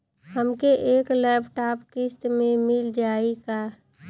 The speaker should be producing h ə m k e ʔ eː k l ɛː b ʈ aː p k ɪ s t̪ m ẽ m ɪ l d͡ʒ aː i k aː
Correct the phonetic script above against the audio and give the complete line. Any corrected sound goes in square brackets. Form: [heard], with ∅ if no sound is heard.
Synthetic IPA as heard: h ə m k e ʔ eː k l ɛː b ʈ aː p k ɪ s t̪ m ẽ m ɪ l d͡ʒ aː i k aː